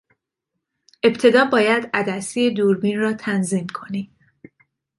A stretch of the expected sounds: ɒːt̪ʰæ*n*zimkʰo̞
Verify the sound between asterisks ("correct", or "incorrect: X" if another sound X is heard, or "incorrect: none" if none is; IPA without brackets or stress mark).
correct